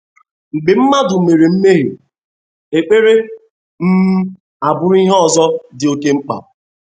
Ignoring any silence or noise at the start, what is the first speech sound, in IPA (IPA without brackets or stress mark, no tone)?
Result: ŋ͡m̩